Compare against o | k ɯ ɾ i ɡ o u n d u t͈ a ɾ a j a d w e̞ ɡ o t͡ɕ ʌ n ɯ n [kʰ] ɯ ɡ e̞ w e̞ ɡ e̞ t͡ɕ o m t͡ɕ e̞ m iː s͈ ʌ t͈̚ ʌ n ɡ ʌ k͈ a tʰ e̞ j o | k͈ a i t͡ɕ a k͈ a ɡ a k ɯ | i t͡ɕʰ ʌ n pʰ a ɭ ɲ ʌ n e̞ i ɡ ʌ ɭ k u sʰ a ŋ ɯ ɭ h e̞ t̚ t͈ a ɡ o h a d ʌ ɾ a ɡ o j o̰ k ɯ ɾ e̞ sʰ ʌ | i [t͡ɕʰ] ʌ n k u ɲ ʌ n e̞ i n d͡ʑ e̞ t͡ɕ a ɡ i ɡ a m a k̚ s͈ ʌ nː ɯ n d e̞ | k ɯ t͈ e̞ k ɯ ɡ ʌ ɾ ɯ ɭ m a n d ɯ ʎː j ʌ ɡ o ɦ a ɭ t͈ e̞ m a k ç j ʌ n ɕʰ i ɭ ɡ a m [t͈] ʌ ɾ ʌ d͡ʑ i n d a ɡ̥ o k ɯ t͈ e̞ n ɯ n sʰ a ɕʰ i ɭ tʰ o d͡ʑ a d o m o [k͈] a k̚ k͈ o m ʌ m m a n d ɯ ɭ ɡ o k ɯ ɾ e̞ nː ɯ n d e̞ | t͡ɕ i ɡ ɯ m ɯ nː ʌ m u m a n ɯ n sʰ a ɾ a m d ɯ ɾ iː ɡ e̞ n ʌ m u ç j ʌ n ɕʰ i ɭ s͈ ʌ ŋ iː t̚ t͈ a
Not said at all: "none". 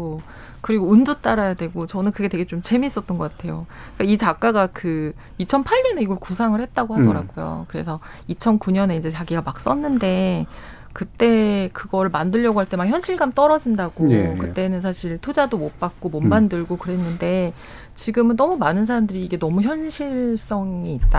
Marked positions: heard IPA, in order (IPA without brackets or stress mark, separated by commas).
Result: k, t͡ɕʰ, t͈, p͈